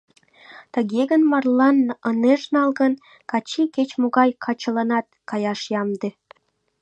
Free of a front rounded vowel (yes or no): yes